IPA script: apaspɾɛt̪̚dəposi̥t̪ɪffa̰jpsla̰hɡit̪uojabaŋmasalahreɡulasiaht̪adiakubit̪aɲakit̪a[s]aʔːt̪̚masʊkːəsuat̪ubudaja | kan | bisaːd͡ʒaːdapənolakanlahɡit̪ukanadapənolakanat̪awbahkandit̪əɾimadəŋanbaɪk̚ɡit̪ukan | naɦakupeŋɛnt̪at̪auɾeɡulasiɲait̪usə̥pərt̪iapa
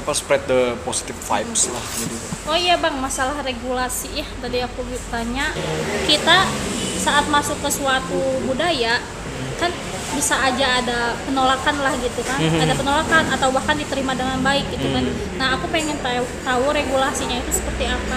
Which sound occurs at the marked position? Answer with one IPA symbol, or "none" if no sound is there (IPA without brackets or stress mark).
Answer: s